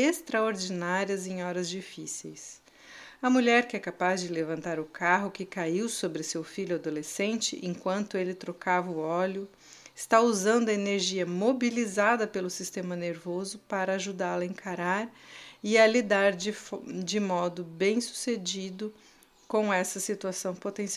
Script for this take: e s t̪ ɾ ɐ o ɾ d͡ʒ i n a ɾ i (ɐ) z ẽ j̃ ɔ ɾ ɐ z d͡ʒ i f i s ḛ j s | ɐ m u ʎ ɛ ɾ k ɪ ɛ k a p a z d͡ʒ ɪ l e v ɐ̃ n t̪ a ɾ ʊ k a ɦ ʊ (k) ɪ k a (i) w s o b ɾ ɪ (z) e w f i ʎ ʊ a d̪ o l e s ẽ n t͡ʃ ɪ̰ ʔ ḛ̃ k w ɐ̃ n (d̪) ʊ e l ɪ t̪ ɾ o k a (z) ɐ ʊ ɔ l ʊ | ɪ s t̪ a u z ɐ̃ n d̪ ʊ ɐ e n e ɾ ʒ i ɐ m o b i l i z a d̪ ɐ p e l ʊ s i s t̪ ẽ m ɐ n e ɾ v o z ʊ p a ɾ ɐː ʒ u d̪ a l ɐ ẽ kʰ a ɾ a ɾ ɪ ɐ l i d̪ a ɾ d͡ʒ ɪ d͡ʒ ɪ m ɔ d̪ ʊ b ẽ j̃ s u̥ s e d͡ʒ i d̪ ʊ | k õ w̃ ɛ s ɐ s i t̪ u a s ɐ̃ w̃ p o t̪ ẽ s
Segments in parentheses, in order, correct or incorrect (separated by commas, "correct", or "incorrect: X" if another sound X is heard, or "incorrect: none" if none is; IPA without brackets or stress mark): correct, correct, correct, incorrect: s, incorrect: t̪, incorrect: v